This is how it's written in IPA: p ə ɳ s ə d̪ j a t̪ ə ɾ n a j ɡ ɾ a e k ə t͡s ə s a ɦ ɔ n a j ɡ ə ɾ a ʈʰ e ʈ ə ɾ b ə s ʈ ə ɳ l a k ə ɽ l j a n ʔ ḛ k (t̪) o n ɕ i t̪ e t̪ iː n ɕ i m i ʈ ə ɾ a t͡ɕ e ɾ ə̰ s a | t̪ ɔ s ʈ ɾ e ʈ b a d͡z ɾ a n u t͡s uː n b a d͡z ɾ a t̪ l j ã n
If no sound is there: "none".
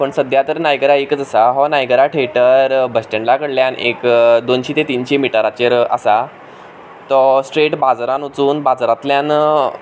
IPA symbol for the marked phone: d̪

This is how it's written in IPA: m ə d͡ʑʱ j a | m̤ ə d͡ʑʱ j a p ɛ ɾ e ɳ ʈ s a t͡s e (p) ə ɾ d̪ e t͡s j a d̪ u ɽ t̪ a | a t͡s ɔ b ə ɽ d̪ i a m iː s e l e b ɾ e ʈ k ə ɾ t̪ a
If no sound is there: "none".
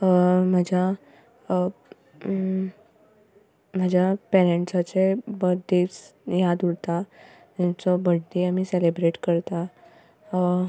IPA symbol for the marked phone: b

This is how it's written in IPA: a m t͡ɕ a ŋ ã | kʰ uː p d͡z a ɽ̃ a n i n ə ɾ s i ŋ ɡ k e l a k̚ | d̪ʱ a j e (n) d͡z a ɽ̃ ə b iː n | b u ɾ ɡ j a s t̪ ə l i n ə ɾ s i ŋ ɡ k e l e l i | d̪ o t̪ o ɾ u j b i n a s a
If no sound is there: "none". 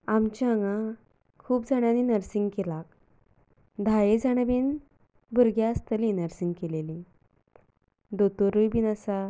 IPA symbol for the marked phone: none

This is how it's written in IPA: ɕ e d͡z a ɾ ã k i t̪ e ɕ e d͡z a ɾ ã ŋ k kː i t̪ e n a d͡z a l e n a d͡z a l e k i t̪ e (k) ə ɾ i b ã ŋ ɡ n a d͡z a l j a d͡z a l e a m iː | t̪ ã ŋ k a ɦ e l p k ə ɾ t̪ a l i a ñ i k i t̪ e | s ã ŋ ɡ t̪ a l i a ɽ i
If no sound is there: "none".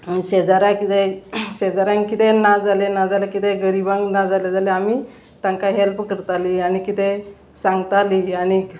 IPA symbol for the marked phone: ɡ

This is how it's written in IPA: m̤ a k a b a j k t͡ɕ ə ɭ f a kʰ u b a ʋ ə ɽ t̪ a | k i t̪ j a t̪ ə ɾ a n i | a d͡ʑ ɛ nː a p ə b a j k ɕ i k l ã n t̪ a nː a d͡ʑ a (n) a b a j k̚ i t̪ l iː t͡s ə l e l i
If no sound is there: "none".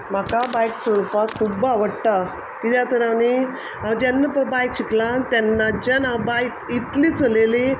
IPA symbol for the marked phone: n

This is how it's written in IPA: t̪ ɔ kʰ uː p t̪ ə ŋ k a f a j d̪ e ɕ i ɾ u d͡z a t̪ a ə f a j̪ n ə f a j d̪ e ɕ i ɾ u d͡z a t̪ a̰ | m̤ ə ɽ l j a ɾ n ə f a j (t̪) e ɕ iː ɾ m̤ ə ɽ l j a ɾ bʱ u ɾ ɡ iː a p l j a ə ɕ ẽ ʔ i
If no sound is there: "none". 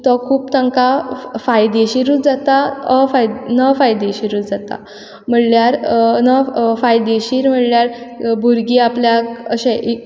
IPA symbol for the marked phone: d̪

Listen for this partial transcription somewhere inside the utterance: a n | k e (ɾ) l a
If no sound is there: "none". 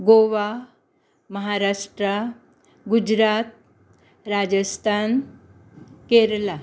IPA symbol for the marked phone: ɾ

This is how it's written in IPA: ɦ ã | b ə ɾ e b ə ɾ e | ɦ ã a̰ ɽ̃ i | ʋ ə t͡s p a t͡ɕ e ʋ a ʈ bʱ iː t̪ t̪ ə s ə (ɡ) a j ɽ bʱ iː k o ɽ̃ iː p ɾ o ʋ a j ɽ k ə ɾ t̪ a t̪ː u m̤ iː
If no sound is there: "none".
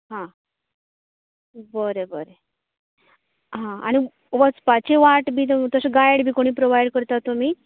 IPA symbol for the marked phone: ɡ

